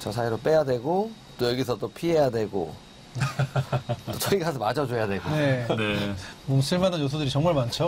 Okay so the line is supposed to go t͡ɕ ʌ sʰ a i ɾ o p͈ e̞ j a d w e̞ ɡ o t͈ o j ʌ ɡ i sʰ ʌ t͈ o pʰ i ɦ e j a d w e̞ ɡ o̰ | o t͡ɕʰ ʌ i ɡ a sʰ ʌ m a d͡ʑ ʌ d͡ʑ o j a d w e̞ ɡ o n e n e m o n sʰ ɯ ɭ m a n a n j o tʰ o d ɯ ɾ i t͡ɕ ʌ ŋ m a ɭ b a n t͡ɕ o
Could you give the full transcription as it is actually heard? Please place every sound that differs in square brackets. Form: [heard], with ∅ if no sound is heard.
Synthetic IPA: t͡ɕ ʌ sʰ a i ɾ o p͈ e̞ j a d w e̞ ɡ o t͈ o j ʌ ɡ i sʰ ʌ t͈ o pʰ i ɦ e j a d w e̞ ɡ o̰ | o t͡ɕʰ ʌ i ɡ a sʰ ʌ m a d͡ʑ ʌ d͡ʑ o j a d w e̞ ɡ o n e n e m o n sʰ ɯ ɭ m a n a n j o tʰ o d ɯ ɾ i t͡ɕ ʌ ŋ m a ɭ [m] a n [t͡ɕʰ] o